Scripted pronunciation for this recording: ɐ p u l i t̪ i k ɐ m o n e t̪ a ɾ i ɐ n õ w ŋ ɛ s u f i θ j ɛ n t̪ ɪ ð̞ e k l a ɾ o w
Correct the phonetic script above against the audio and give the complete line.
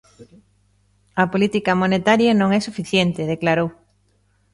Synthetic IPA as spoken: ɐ p o l i t̪ i k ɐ m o n e t̪ a ɾ j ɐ n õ ŋ ɛ s u f i θ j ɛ n t̪ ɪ ð̞ e k l a ɾ o w